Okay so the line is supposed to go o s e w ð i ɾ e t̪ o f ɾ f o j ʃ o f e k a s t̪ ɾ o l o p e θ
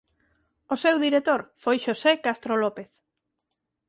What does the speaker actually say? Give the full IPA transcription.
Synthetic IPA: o s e w ð i ɾ e t̪ o ɾ f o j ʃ o s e k a s t̪ ɾ o l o p e θ